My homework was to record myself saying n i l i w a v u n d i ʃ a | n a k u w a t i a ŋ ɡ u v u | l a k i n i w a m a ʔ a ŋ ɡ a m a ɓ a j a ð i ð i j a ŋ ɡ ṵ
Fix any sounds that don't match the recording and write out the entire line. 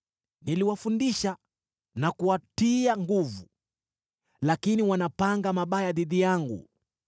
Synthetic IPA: n i l i w a f u n d i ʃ a | n a k u w a t i a ŋ ɡ u v u | l a k i n i w a n a p a ŋ ɡ a m a ɓ a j a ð i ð i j a ŋ ɡ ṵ